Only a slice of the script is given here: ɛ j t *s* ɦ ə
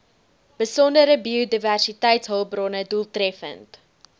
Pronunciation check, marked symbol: correct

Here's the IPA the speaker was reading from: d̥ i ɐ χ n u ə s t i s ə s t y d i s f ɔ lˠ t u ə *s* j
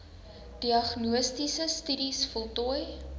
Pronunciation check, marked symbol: incorrect: none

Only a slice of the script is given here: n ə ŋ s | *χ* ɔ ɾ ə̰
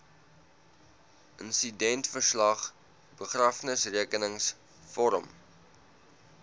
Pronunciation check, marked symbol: incorrect: f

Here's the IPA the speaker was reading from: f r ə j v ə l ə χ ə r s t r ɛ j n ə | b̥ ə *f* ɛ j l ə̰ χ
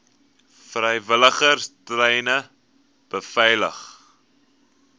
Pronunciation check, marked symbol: correct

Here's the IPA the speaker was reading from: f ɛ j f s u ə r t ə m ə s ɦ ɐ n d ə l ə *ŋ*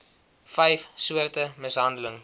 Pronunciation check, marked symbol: correct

